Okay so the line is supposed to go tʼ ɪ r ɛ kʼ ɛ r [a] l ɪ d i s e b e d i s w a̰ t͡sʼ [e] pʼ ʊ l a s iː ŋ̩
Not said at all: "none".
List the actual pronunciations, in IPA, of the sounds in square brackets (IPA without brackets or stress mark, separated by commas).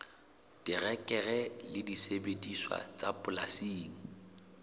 ɛ, a